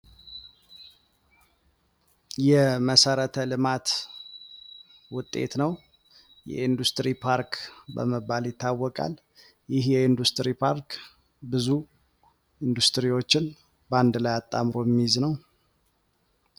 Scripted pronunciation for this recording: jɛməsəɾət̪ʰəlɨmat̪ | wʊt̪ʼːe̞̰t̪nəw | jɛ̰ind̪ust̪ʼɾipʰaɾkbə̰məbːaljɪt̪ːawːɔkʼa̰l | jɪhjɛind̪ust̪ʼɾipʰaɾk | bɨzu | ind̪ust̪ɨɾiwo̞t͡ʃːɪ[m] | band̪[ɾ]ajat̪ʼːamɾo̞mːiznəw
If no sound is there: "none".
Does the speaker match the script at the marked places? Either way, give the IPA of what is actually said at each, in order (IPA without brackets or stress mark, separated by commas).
n, l